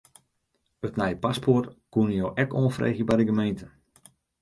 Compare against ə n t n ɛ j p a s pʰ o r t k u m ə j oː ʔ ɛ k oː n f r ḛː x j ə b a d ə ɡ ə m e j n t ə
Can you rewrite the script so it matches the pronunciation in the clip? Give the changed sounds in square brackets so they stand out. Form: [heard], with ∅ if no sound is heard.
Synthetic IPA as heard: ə [∅] t n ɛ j p a s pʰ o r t k u [n] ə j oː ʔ ɛ k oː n f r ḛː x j ə b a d ə ɡ ə m e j n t ə